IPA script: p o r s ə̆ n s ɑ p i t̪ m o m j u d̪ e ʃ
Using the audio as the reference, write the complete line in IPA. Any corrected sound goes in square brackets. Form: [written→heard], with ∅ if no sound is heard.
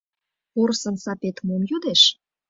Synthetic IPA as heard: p o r s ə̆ n s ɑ p [i→e] t̪ m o m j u d̪ e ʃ